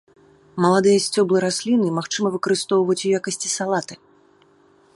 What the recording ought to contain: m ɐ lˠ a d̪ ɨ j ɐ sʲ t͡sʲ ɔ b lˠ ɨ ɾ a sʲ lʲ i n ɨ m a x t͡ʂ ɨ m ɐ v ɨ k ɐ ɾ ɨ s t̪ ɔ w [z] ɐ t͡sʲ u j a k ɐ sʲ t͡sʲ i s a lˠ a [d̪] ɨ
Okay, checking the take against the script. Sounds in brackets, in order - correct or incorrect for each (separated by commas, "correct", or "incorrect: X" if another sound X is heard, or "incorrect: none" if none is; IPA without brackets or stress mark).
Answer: incorrect: v, incorrect: t̪